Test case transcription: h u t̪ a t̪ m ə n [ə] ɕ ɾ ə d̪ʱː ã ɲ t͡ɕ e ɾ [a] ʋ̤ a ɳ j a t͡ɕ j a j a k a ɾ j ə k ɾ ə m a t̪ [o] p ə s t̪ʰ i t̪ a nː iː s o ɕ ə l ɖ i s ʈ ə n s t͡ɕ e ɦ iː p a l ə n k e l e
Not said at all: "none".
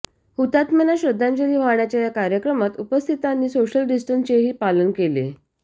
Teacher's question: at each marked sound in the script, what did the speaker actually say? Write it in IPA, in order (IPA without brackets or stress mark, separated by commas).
a, i, u